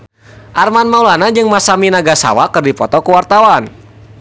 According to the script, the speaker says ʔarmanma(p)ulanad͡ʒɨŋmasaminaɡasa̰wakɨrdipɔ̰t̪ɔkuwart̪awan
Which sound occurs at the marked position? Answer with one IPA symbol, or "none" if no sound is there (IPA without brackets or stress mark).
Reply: none